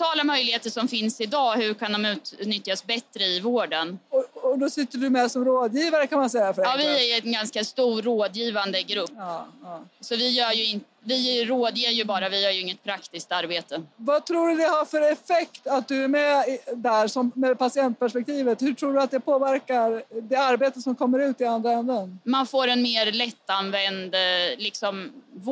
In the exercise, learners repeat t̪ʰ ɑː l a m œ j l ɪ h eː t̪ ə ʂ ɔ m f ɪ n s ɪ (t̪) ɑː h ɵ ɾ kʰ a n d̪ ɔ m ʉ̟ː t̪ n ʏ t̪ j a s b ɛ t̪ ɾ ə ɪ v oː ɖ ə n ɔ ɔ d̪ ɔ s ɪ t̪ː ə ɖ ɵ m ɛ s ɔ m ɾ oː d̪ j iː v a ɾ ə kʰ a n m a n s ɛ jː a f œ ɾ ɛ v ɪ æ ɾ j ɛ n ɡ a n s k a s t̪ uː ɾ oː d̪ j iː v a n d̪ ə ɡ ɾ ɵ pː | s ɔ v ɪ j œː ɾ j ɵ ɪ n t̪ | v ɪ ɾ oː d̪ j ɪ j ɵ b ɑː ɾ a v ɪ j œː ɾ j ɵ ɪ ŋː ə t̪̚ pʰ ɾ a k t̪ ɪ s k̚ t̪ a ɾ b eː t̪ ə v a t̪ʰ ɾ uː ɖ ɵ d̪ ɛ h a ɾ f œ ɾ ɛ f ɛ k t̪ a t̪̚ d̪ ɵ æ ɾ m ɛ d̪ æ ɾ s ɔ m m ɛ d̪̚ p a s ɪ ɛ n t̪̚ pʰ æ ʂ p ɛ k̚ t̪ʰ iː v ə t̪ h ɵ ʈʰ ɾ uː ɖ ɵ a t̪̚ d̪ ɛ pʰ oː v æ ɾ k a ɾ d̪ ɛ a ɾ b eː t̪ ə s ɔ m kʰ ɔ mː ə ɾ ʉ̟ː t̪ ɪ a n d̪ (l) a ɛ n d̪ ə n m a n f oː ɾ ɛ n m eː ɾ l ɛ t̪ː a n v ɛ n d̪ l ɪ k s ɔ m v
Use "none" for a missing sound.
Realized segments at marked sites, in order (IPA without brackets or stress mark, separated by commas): d̪, ɾ